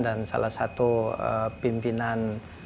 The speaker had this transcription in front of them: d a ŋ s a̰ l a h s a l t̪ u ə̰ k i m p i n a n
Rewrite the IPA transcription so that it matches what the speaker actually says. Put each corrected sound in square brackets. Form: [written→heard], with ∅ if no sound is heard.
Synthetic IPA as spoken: d a [ŋ→n] s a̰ l a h s a [l→∅] t̪ u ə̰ [k→p] i m p i n a n